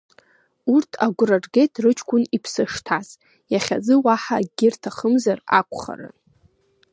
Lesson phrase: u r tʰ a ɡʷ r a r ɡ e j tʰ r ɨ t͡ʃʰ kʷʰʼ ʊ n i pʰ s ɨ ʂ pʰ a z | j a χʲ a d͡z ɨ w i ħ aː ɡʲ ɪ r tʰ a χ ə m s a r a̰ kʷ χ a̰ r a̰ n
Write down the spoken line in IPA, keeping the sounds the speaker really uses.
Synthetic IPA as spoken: u r tʰ a ɡʷ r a r ɡ e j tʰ r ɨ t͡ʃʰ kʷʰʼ ʊ n i pʰ s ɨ ʂ tʰ a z | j a χʲ a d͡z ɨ w a ħ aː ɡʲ ɪ r tʰ a χ ə m z a r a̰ kʷ χ a̰ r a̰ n